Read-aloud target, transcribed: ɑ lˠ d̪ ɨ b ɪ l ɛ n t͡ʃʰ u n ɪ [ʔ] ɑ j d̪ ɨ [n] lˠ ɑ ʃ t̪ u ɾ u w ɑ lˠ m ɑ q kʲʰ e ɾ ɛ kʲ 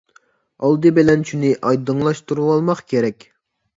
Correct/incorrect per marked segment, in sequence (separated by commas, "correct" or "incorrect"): correct, incorrect